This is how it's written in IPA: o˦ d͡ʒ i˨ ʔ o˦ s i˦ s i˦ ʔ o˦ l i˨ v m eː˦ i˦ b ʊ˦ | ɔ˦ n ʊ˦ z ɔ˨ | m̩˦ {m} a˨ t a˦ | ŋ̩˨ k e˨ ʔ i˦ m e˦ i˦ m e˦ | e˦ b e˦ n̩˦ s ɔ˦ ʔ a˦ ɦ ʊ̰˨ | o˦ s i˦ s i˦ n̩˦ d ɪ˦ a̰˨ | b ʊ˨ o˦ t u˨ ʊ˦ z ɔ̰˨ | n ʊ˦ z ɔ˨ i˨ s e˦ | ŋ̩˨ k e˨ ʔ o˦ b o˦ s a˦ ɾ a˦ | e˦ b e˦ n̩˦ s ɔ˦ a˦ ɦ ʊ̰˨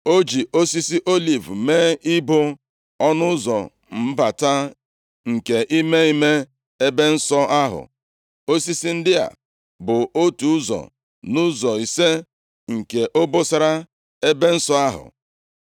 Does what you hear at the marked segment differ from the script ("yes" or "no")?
yes